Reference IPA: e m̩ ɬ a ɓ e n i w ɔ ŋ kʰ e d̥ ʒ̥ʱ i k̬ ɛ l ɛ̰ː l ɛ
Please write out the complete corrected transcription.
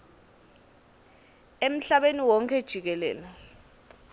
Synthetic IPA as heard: e m̩ ɬ a ɓ e n i w ɔ ŋ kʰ ɛ d̥ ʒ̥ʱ i k̬ ɛ l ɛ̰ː l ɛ